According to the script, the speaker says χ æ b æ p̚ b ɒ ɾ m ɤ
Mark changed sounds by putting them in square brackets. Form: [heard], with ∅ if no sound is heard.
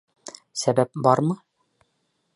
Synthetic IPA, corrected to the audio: [s] æ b æ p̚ b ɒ ɾ m ɤ